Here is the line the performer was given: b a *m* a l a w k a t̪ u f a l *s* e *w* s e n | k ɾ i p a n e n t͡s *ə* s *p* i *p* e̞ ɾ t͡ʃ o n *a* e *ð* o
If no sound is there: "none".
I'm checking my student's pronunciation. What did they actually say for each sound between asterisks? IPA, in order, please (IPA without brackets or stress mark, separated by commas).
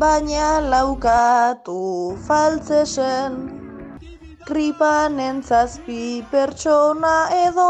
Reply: ɲ, t͡s, none, a, p, p, a, ð